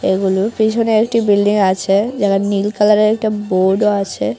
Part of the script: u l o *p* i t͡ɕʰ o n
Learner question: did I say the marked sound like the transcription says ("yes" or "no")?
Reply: yes